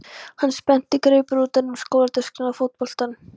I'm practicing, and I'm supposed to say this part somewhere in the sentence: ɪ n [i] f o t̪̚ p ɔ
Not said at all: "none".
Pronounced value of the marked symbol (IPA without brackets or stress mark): a